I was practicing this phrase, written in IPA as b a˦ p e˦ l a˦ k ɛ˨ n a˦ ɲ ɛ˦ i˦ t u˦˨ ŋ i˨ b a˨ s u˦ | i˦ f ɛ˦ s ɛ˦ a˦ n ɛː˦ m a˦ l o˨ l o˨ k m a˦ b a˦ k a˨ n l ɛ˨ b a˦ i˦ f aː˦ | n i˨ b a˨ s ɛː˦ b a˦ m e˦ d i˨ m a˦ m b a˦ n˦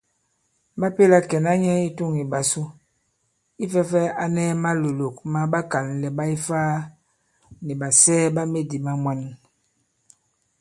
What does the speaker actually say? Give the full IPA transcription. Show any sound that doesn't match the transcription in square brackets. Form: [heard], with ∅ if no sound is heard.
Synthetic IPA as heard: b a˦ p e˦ l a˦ k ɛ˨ n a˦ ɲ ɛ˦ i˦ t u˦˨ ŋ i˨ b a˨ s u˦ | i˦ f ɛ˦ [f] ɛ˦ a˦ n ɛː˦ m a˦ l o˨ l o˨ k m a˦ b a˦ k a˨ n l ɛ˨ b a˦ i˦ f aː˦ | n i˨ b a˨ s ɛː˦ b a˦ m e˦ d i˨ m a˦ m [w] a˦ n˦